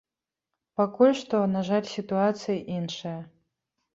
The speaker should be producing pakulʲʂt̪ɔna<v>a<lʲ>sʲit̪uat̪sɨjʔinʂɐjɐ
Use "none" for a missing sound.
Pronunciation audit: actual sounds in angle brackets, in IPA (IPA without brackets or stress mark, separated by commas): ʐ, lʲ